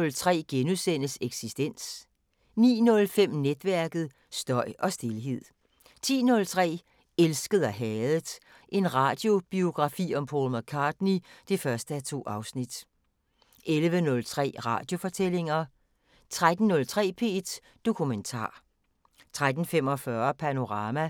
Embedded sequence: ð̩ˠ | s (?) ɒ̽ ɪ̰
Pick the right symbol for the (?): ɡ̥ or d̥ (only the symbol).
d̥